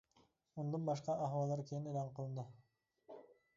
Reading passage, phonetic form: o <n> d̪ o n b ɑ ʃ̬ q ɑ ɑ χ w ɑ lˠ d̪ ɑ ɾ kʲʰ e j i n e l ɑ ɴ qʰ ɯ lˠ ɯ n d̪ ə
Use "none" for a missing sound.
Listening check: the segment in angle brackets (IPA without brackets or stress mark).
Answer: n